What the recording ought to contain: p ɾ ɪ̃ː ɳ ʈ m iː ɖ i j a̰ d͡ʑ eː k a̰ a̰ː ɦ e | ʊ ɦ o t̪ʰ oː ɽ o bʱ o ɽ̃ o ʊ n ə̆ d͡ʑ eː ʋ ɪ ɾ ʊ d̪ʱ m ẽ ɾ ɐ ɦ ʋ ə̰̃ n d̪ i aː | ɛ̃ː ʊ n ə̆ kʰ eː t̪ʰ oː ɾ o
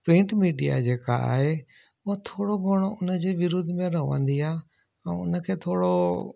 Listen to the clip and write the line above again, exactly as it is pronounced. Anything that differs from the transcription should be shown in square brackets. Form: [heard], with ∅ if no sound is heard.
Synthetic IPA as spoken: p ɾ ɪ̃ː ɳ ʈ m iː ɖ i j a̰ d͡ʑ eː k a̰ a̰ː ɦ e | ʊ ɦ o t̪ʰ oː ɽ o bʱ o ɽ̃ o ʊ n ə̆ d͡ʑ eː ʋ ɪ ɾ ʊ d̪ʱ m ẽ ɾ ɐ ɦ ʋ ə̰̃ n d̪ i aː | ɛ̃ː ʊ n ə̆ kʰ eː t̪ʰ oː [ɽ] o